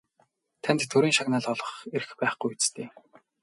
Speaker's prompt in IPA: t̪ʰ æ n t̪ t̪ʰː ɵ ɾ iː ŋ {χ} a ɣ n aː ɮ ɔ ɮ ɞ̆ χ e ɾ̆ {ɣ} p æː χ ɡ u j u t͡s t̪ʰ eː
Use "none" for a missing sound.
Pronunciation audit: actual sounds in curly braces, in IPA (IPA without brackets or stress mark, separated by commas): ʃ, x